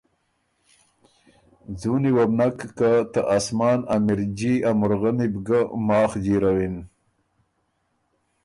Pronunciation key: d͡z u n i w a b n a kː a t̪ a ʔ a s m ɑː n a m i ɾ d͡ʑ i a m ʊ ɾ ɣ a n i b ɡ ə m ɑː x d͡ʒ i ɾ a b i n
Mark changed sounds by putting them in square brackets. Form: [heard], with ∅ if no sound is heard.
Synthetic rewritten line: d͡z u n i w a b n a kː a t̪ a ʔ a s m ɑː n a m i ɾ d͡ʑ i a m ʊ ɾ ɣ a n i b ɡ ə m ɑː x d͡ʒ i ɾ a [w] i n